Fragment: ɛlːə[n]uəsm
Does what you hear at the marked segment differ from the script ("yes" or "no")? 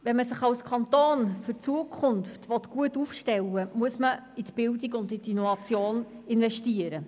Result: yes